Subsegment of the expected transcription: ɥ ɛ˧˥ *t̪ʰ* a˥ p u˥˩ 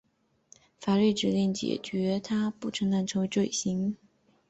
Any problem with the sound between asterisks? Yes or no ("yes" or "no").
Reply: no